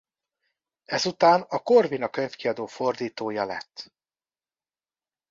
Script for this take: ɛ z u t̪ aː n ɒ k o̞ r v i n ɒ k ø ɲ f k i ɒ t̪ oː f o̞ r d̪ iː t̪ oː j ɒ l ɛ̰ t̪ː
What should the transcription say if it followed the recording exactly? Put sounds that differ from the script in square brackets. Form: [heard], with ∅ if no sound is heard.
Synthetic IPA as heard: ɛ z u t̪ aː n ɒ k o̞ r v i n ɒ k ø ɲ f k i ɒ [d̪] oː f o̞ r d̪ iː t̪ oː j ɒ l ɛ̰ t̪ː